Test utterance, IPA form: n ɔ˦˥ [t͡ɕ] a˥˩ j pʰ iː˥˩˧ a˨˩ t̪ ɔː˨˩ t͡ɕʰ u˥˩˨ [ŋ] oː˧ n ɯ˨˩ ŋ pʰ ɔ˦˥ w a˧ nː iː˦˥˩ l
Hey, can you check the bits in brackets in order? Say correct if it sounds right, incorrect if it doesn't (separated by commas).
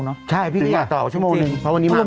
incorrect, incorrect